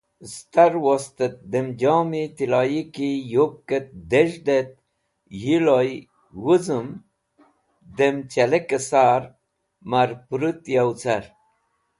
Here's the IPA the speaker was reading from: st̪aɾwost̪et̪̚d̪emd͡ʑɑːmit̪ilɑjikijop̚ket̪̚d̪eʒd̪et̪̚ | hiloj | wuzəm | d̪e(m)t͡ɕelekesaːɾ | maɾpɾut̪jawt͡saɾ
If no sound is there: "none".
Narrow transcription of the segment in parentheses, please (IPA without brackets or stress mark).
m